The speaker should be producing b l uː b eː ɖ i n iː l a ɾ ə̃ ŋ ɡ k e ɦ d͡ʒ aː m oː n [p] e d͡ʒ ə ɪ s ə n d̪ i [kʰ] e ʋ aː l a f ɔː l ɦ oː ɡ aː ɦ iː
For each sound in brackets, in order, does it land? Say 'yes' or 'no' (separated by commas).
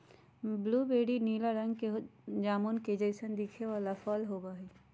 no, yes